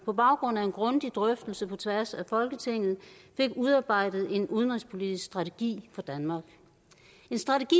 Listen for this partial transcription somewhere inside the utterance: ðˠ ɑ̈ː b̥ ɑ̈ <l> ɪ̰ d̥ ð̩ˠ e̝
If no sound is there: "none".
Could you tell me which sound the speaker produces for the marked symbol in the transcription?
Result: none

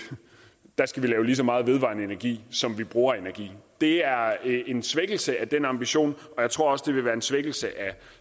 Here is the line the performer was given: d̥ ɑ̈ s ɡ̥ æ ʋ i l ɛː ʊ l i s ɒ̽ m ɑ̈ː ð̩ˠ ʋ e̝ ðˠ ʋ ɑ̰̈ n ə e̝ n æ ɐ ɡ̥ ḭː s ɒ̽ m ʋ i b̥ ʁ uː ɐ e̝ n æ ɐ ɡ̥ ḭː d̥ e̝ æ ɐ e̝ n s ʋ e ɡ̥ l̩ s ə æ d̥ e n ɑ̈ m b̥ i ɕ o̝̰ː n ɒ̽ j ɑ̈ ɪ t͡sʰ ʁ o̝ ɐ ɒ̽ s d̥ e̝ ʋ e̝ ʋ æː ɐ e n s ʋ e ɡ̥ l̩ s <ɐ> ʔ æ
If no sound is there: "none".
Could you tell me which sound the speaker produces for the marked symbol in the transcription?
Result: ə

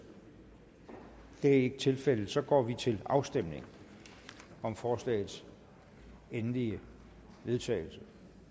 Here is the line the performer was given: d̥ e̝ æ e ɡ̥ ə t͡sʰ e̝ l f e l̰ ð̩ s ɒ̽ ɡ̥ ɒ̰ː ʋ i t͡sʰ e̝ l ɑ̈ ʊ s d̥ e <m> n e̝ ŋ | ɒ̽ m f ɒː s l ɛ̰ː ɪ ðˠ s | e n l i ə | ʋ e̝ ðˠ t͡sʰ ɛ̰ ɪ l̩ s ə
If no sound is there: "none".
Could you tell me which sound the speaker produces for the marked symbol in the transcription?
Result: m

